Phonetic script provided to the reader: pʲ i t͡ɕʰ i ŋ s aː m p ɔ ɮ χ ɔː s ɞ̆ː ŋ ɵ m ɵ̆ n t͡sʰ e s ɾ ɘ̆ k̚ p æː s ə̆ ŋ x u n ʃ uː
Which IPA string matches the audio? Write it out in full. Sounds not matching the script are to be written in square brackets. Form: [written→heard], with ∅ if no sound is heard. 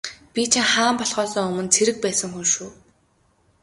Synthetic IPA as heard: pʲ i t͡ɕʰ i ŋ [s→χ] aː m p ɔ ɮ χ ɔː s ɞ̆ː ŋ ɵ m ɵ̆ n t͡sʰ e [s→∅] ɾ ɘ̆ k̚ p æː s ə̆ ŋ x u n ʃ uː